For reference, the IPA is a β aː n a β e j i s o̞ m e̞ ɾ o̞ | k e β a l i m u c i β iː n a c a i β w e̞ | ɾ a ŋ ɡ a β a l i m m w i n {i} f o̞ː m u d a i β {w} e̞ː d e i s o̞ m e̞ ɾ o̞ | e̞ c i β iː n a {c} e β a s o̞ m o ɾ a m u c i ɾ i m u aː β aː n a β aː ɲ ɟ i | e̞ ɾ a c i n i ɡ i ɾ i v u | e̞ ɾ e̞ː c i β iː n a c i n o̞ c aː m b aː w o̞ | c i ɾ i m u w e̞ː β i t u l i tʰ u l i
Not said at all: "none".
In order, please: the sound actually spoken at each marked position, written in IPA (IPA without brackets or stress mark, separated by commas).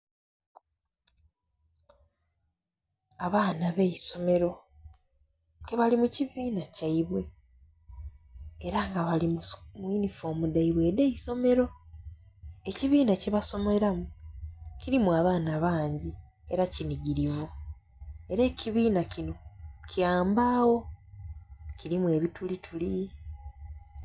i, w, c